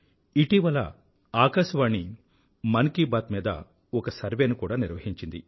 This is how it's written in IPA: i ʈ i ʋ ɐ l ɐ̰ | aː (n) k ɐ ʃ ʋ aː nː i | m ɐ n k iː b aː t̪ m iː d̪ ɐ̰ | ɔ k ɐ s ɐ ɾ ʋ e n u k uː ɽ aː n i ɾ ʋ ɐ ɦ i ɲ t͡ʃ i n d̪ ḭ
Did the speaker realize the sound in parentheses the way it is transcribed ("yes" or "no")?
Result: no